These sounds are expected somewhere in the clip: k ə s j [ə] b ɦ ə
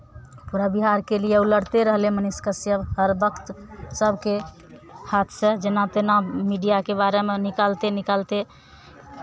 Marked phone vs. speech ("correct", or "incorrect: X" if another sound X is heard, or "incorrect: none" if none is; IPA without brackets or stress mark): correct